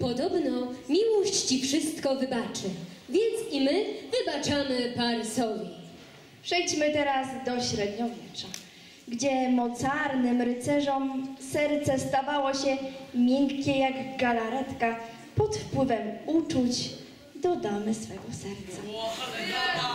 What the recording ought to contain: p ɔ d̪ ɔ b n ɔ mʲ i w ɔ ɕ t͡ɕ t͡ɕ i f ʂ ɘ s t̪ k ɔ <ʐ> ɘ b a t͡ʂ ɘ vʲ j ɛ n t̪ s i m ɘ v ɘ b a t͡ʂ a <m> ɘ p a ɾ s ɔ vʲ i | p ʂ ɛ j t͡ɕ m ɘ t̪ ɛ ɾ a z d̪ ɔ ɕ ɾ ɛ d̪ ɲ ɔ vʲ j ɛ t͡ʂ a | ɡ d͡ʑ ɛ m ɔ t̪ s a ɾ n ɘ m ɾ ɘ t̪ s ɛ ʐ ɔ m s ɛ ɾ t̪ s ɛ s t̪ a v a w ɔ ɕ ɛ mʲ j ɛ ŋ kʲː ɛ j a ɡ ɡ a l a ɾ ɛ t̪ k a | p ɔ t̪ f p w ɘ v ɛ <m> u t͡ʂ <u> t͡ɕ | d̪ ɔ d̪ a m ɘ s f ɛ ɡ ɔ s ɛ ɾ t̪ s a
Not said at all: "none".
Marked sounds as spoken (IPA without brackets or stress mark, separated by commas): v, m, m, u